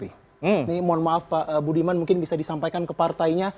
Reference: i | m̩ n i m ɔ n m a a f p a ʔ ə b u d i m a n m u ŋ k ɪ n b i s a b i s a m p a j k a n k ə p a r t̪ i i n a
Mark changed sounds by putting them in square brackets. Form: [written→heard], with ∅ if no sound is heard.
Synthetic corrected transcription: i | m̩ n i m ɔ n m a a f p a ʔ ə b u d i m a n m u ŋ k ɪ n b i s a [b→d] i s a m p a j k a n k ə p a r t̪ [i→a] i [n→ɲ] a